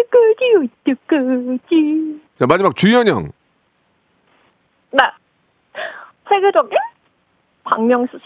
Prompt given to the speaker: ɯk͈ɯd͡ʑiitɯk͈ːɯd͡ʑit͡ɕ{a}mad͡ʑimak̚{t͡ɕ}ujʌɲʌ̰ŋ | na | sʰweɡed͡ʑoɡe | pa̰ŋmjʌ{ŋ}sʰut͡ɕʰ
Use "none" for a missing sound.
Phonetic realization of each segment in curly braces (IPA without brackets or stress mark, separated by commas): a, t͡ɕ, ŋ